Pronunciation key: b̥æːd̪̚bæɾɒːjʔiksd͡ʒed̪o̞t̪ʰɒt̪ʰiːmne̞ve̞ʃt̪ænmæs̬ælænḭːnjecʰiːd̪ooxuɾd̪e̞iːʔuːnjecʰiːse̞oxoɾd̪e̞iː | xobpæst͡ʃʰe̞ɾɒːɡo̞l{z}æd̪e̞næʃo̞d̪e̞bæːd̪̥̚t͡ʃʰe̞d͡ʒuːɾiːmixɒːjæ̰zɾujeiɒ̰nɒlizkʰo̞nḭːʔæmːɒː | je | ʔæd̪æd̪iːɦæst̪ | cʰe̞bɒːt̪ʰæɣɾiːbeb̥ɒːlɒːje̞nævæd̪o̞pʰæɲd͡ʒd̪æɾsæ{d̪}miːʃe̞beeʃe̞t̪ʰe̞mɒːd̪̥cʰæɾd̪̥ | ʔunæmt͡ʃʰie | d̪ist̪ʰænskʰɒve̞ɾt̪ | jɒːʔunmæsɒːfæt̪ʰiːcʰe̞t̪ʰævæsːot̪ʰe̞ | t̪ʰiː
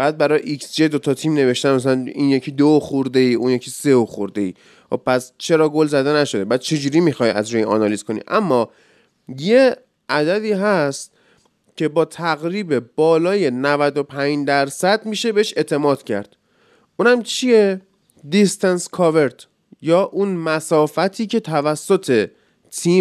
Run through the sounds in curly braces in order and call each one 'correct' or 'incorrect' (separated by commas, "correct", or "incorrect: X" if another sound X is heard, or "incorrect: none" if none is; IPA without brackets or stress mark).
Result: correct, correct